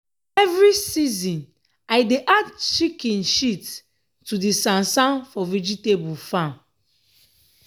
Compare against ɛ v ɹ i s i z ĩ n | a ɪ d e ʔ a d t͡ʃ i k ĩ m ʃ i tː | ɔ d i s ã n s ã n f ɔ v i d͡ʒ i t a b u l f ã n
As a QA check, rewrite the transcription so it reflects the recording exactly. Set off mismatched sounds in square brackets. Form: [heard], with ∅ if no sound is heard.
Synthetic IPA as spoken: ɛ v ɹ i s i z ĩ n | a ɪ d e ʔ a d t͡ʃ i k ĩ [n] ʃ i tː | [u] d i s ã n s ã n f ɔ v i d͡ʒ i t [e] b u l f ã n